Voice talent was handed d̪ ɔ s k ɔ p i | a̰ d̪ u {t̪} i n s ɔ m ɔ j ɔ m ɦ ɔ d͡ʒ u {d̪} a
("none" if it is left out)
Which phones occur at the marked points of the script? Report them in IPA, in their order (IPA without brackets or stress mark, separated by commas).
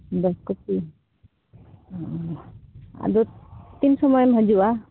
t̪, none